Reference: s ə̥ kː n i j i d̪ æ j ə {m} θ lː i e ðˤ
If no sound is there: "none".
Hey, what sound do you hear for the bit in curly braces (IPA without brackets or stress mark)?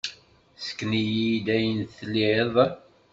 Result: n